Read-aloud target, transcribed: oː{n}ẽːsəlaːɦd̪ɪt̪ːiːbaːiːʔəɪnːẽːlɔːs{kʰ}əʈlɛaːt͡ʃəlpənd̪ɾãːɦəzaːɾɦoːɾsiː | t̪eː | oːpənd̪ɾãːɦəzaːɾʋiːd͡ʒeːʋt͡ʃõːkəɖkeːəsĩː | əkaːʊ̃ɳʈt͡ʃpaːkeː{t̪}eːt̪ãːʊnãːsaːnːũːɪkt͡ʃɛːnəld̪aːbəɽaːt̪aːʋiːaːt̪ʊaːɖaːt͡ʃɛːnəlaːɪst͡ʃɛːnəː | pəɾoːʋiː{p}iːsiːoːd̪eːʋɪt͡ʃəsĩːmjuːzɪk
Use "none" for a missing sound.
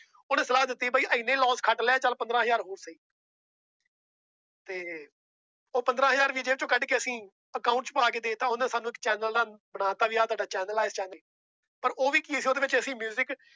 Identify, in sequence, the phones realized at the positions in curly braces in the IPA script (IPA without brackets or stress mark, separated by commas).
n, kʰ, d̪, k